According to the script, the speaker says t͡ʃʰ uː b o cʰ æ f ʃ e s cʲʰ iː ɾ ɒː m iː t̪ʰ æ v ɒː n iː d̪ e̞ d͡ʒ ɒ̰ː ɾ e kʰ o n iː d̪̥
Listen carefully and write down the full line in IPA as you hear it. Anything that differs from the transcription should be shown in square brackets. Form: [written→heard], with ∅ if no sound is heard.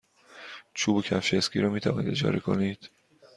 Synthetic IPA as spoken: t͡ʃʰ uː b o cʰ æ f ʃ e s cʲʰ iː ɾ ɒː m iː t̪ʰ æ v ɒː n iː d̪ e̞ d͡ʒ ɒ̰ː ɾ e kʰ o n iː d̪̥